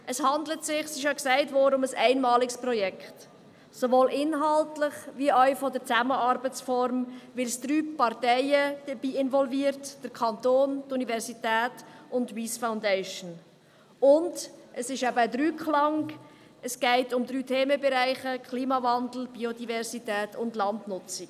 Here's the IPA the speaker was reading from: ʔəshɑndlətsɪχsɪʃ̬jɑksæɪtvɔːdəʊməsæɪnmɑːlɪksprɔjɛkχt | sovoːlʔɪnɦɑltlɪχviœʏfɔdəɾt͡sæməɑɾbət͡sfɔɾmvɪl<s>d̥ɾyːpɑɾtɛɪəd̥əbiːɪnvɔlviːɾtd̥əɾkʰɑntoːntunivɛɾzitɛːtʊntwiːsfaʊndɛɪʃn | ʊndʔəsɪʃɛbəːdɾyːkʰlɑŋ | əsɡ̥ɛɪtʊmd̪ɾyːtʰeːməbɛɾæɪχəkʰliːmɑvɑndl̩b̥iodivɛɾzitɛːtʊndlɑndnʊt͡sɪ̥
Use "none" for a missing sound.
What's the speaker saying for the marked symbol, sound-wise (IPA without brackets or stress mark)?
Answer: s